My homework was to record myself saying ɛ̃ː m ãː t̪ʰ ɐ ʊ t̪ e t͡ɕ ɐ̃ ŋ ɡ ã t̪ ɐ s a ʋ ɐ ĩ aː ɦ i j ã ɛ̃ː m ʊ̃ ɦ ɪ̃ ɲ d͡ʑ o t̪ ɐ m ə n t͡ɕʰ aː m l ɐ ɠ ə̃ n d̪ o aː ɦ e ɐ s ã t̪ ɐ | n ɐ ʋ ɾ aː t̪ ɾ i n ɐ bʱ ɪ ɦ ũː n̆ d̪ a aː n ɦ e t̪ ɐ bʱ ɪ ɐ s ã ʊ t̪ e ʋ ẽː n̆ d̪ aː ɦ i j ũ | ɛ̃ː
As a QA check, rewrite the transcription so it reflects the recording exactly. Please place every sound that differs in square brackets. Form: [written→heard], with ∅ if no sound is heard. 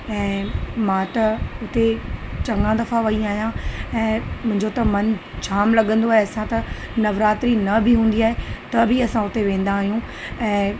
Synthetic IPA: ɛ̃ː m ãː [t̪ʰ→t̪] ɐ ʊ t̪ e t͡ɕ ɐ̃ ŋ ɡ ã [t̪→d̪] ɐ [s→f] a ʋ ɐ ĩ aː ɦ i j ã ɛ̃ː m ʊ̃ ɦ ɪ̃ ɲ d͡ʑ o t̪ ɐ m [ə→ɐ] n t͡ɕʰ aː m l ɐ ɠ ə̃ n d̪ o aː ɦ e ɐ s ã t̪ ɐ | n ɐ ʋ ɾ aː t̪ ɾ i n ɐ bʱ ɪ ɦ ũː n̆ d̪ [a→i] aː [n→∅] ɦ e t̪ ɐ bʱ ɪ ɐ s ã ʊ t̪ e ʋ ẽː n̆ d̪ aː ɦ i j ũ | ɛ̃ː